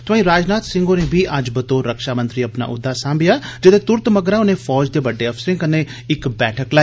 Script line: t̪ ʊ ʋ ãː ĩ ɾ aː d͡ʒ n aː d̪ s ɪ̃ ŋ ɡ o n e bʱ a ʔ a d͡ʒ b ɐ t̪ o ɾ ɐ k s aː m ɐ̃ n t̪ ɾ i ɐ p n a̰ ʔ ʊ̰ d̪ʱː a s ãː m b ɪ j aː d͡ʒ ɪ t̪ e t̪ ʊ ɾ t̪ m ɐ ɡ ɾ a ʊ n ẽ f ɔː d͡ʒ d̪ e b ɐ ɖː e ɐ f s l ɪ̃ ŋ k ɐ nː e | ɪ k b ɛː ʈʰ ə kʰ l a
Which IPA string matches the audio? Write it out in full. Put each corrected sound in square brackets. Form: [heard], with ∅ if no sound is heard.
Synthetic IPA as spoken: t̪ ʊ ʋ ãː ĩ ɾ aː d͡ʒ n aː [t̪] s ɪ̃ ŋ ɡ o n e bʱ [i] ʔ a d͡ʒ b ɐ t̪ o ɾ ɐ k [ʃ] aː m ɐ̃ n t̪ ɾ i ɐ p n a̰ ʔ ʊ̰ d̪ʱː a s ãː m b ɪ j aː d͡ʒ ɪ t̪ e t̪ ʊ ɾ t̪ m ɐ ɡ ɾ a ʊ n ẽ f ɔː d͡ʒ d̪ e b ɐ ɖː e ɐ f s [ɾ] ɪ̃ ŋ k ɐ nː e | ɪ k b ɛː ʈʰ ə [k] l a